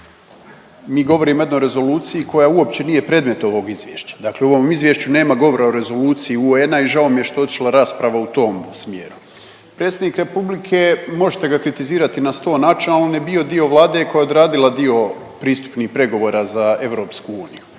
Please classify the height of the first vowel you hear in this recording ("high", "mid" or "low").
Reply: high